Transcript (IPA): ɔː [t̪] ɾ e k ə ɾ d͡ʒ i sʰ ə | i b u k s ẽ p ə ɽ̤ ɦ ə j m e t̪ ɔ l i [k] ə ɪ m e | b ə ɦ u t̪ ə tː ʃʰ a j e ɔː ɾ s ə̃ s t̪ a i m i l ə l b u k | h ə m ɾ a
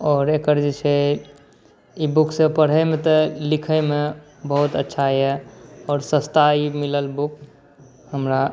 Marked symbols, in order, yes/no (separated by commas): no, no